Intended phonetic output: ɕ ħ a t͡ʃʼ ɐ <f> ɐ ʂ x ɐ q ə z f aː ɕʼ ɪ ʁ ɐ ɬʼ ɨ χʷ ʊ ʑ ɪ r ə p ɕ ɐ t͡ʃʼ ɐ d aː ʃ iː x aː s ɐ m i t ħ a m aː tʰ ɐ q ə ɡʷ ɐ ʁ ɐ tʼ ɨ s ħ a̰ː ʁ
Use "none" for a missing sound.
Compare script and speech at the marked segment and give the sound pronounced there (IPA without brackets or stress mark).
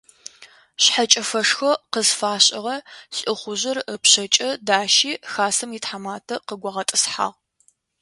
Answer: f